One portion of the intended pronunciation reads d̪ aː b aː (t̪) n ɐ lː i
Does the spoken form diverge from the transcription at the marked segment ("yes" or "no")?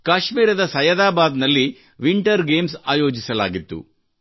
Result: yes